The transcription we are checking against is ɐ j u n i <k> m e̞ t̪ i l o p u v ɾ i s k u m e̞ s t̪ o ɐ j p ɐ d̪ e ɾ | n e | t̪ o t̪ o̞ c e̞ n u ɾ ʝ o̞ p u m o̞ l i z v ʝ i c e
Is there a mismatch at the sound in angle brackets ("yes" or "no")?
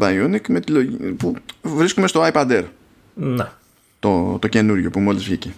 no